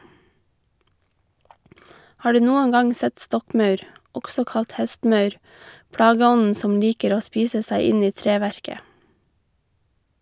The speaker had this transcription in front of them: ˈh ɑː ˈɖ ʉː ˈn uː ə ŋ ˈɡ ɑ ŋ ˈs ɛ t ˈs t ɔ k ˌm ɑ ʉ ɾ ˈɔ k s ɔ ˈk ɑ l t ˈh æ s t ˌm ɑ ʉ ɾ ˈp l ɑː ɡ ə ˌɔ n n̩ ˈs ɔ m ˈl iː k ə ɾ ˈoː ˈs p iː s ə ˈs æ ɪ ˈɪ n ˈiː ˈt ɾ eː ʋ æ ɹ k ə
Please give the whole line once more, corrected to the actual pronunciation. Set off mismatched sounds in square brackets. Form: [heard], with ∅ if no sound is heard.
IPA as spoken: ˈh ɑː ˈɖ ʉː ˈn uː ə ŋ ˈɡ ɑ ŋ ˈs ɛ t ˈs t ɔ k ˌm ɑ ʉ ɾ ˈɔ k s ɔ ˈk ɑ l t ˈh [ɛ] s t ˌm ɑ ʉ ɾ ˈp [ɽ] ɑː ɡ ə ˌɔ n n̩ ˈs ɔ m ˈl iː k ə ɾ ˈoː ˈs p iː s ə ˈs æ ɪ ˈɪ n ˈiː ˈt ɾ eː ʋ æ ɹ k ə